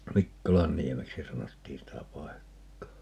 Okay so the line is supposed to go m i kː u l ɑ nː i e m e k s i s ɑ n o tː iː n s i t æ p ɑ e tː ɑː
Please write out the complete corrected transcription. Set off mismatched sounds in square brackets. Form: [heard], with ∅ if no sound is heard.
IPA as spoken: m i kː [o] l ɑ nː i e m e k s i s ɑ n o tː iː n s i t æ p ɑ e [kː] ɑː

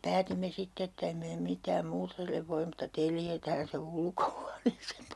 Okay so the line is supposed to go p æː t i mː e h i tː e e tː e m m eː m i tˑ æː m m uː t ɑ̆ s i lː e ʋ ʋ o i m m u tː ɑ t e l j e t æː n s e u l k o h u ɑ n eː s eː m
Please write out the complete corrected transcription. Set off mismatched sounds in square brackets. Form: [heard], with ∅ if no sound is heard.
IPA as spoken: p æː t i mː e [s] i tː e e tː e m m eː m i tˑ æː m m uː t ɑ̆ s i lː e ʋ ʋ o i m m u tː ɑ t e l j e t æː n s e u l k o h u ɑ n eː s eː m

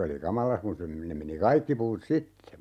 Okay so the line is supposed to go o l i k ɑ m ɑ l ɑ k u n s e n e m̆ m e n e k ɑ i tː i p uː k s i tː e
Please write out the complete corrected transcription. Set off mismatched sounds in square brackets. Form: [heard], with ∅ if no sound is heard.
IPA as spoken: o l i k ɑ m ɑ l ɑ k u n s e n e m̆ m e n [i] k ɑ i [kː] i p uː [t] s i tː e

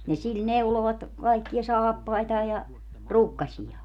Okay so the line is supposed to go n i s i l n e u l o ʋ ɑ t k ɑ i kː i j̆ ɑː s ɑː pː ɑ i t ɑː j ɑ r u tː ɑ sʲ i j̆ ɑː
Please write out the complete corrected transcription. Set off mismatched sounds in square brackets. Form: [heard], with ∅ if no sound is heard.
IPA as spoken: n i s i l n e u l o ʋ ɑ t k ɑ i kː i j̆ [ɑ] s ɑː pː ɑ i t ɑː j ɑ r u [kː] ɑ sʲ i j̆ ɑː

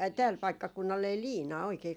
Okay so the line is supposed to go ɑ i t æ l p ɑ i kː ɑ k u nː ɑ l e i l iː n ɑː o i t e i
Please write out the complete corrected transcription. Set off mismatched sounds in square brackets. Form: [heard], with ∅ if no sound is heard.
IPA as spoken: ɑ i t [æː] l p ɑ i kː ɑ k u nː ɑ l e i l iː n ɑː o i [k] e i

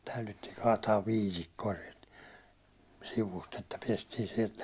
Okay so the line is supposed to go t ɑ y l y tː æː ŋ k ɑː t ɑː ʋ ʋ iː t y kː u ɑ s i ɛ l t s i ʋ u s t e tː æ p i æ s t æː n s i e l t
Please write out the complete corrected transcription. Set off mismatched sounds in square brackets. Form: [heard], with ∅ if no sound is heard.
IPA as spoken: t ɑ y l y tː [iː] ŋ k ɑː t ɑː ʋ ʋ iː t [i] kː [o] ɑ s i ɛ l t s i ʋ u s t e tː æ p i [e] s t [iː] n s i e l t

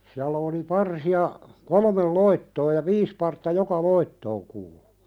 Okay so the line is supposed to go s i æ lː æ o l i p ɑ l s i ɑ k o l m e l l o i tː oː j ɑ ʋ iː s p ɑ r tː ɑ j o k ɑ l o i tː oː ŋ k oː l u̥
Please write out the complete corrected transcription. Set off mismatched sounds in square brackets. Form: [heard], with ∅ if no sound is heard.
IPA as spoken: s i æ lː æ o l i p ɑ [r] s i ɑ k o l m e l l o i tː oː j ɑ ʋ iː s p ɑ r tː ɑ j o k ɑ l o i tː oː ŋ k [uː] l u̥

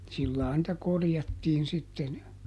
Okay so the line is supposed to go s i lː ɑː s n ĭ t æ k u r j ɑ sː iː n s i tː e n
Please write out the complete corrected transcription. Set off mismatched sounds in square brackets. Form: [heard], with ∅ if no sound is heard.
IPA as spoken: s i lː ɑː [∅] n ĭ t æ k [o] r j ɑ [tː] iː n s i tː e n

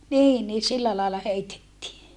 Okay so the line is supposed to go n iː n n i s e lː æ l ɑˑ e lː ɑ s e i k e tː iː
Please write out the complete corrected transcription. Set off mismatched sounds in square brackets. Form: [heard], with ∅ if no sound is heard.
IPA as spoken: n iː n n [iː] s [i] lː æ l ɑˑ e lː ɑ [h] e i [t] e tː iː

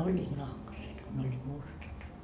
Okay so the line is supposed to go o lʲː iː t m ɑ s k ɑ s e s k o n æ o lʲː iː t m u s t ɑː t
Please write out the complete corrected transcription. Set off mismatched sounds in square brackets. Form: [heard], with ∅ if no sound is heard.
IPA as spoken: o lʲː iː t [n] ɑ [h] k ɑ s e [t] k o n [e] o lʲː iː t m u s t [ɑ] t

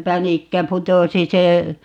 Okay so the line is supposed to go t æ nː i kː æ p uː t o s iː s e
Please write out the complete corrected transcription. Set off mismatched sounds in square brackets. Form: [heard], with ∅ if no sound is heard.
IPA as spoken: [p] æ [n] i kː æ p [u] t o s [i] s e

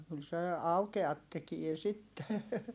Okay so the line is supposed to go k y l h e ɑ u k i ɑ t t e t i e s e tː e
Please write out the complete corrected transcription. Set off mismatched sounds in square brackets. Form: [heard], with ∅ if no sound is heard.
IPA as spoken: k y l [s] e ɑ u k [e] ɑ t t e [k] i e s [i] tː e

